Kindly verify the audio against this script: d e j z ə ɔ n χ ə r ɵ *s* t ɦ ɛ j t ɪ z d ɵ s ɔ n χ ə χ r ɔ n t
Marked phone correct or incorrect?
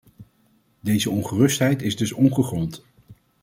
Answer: correct